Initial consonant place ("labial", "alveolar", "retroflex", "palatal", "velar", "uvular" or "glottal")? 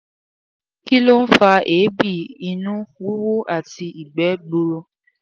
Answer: velar